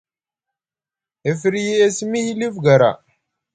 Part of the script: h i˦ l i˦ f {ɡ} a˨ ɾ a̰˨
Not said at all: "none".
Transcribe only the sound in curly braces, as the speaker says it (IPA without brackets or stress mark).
ɡ